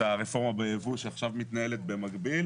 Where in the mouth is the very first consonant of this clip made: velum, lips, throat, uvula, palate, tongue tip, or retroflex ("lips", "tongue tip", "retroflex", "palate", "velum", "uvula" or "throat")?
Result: uvula